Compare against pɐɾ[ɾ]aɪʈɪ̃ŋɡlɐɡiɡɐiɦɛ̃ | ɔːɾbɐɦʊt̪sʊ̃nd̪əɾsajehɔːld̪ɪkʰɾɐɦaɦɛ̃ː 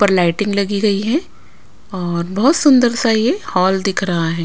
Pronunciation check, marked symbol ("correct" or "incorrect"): incorrect